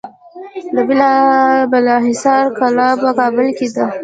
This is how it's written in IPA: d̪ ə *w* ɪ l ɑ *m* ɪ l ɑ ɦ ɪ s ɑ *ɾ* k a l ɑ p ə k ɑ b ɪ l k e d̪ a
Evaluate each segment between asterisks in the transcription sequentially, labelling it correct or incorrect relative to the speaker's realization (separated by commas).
incorrect, incorrect, correct